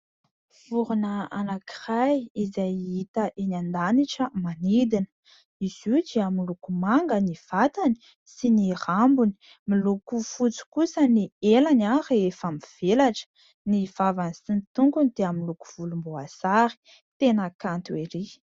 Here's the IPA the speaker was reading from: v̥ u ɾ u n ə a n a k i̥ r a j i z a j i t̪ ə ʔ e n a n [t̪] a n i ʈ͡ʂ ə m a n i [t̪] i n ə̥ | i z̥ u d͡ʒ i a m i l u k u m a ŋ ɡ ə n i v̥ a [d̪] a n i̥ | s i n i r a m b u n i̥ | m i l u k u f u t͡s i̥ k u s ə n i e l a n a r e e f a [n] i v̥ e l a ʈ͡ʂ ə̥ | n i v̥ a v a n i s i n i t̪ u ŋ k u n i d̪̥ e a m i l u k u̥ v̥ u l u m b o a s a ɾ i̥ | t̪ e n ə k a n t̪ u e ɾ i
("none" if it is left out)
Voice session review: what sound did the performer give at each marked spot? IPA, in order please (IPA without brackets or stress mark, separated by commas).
d̪, d̪, t̪, m